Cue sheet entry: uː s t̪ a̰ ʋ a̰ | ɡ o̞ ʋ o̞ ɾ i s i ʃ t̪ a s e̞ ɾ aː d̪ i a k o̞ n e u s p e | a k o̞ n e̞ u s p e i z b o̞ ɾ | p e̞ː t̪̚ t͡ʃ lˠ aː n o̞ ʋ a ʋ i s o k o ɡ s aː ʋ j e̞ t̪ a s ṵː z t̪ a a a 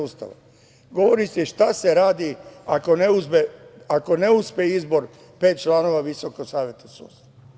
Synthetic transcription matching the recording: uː s t̪ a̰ ʋ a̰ | ɡ o̞ ʋ o̞ ɾ i s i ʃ t̪ a s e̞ ɾ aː d̪ i a k o̞ n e u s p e | a k o̞ n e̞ u s p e i z b o̞ ɾ | p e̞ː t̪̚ t͡ʃ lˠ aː n o̞ ʋ a ʋ i s o k o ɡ s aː ʋ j e̞ t̪ a s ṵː s t̪ a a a